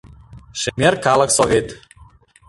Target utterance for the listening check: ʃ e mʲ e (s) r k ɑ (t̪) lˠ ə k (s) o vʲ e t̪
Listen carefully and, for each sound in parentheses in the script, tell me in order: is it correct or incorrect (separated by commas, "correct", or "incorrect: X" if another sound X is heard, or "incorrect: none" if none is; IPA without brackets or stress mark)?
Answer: incorrect: none, incorrect: none, correct